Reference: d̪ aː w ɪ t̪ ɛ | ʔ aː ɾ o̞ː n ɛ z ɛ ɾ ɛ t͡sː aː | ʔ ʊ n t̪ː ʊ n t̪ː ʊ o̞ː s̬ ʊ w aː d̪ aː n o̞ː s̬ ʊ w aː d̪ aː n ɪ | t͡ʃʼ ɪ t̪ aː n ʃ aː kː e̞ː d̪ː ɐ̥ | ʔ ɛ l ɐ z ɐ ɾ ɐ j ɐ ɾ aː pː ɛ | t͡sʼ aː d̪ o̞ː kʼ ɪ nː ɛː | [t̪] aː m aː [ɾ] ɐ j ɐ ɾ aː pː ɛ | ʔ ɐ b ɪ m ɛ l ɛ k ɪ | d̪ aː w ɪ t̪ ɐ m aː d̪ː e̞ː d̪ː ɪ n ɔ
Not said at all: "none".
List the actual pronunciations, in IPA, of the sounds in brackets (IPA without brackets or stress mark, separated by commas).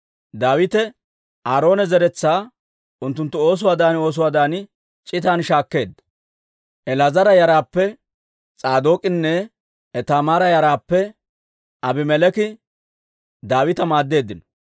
t̪, ɾ